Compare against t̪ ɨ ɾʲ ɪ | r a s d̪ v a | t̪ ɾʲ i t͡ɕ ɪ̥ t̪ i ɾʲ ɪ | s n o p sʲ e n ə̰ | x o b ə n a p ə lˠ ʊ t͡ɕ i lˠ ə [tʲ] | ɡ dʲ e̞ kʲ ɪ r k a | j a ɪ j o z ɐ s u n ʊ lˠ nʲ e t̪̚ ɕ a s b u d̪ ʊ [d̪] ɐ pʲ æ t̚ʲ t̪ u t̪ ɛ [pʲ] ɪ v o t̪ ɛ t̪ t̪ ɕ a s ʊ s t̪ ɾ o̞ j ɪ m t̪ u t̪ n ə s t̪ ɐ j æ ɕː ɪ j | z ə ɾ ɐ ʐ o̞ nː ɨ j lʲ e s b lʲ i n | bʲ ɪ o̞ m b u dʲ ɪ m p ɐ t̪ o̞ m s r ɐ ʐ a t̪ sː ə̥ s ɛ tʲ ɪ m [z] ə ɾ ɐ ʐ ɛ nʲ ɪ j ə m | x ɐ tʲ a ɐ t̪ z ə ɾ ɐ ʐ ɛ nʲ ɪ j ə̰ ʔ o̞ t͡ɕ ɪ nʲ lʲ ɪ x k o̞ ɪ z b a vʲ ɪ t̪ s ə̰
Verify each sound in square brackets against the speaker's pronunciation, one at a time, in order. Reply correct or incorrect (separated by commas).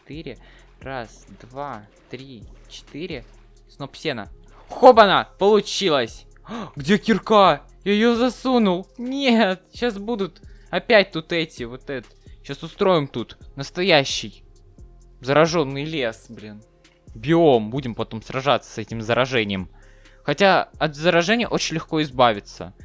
incorrect, incorrect, incorrect, correct